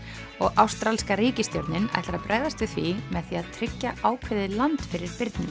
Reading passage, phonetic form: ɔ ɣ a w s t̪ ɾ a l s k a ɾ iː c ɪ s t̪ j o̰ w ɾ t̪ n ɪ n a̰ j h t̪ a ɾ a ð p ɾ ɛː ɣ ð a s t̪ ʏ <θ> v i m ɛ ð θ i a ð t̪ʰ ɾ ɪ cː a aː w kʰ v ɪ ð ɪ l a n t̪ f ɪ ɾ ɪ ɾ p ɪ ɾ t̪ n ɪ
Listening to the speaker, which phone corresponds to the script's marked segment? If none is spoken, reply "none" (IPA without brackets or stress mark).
θ